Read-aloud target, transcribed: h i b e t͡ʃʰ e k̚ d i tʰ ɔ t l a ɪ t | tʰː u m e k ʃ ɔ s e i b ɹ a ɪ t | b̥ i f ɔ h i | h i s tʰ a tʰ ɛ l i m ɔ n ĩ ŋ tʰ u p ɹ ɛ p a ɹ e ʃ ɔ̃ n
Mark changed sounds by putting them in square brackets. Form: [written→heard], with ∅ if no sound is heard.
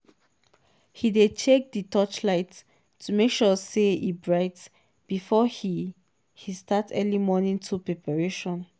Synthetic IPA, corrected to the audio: h i [b→d] e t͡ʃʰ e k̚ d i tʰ ɔ [t→t͡ʃ] l a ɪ t | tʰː u m e k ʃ ɔ s e i b ɹ a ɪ t | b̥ i f ɔ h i | h i s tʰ a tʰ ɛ l i m ɔ n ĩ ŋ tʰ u p ɹ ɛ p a ɹ e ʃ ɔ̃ n